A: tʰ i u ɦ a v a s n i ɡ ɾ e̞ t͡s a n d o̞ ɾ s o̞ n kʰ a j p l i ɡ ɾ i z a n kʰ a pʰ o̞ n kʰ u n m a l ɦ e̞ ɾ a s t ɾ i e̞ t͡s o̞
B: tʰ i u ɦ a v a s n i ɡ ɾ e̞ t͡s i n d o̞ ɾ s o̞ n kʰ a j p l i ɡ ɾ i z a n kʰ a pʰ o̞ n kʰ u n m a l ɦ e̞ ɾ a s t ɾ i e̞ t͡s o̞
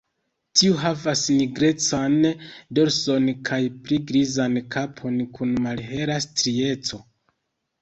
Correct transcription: A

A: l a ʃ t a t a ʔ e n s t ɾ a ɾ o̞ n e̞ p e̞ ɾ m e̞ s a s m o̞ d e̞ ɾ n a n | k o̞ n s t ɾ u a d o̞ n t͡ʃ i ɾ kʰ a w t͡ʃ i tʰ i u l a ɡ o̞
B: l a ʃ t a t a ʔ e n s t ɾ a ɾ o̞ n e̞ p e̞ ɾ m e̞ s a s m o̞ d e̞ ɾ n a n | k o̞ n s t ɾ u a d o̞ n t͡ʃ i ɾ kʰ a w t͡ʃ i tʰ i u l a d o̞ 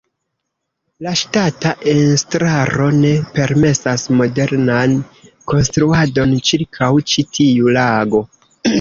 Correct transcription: A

